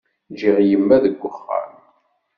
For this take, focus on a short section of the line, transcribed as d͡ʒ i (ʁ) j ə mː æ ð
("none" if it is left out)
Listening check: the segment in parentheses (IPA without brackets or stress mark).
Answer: ʁ